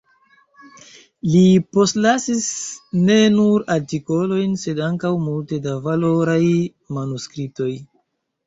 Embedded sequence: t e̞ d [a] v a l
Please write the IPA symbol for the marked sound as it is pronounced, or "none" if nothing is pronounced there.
a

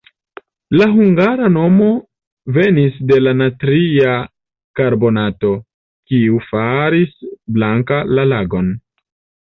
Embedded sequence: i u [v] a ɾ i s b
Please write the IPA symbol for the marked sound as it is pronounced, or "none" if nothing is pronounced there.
f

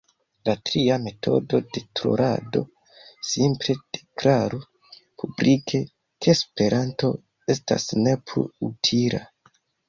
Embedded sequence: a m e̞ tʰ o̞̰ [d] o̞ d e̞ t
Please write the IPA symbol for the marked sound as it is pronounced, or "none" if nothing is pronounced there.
d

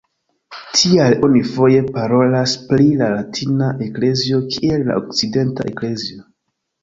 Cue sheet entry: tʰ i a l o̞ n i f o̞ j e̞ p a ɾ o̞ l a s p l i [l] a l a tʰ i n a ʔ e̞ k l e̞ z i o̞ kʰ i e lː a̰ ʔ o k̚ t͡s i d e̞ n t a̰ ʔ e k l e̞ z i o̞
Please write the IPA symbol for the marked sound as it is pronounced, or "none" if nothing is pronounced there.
l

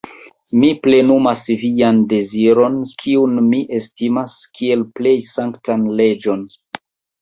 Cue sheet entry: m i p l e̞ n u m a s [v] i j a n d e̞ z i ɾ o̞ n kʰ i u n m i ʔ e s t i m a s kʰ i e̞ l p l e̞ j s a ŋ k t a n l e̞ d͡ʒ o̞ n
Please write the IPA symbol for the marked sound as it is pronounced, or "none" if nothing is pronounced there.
v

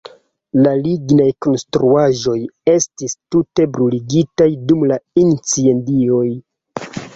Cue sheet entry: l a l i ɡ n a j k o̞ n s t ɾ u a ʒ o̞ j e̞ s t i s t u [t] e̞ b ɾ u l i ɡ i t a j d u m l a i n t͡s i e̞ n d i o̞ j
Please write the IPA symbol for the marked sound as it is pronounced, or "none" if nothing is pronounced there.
t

